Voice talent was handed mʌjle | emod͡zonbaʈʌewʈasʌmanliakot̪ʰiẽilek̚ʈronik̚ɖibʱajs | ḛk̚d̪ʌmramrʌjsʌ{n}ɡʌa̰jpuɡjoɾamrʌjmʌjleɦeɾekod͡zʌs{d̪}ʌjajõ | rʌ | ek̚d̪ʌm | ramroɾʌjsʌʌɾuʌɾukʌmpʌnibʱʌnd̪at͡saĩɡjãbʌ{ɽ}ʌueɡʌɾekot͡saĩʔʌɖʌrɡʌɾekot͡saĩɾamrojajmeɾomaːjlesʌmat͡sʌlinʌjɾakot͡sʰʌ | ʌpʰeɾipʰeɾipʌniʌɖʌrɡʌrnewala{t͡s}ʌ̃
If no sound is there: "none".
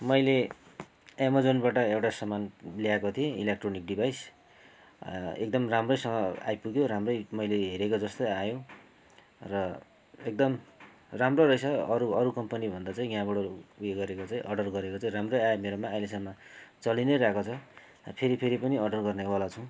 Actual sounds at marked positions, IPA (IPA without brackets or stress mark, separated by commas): ŋ, t̪, ɽ, t͡sʰ